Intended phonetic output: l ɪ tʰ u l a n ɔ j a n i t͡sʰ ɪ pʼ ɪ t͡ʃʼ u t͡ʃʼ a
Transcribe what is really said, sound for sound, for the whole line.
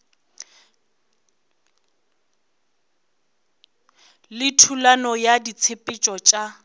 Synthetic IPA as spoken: l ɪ tʰ u l a n ɔ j a d i t͡sʰ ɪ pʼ ɪ t͡ʃʼ ɔ t͡ʃʼ a